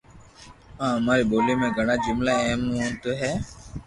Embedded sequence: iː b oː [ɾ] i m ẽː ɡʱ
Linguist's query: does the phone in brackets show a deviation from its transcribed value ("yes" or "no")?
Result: yes